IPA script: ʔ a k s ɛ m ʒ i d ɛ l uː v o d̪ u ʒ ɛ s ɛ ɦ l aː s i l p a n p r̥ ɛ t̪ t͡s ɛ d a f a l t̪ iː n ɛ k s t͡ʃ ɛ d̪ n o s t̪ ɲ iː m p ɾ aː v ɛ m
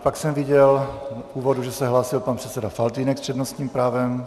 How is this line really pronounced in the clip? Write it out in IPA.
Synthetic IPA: p a k s ɛ m v i ɟ ɛ l uː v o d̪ u ʒ ɛ s ɛ ɦ l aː s i l p a n p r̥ ɛ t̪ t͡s ɛ d a f a l t̪ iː n ɛ k s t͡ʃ ɛ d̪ n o s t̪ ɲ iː m p ɾ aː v ɛ m